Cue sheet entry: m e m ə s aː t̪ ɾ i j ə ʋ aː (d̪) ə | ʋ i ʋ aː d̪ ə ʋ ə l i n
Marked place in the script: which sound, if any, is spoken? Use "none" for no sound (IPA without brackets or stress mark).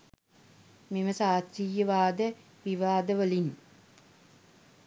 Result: d̪